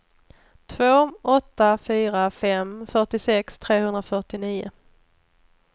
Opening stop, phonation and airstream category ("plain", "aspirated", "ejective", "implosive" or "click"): aspirated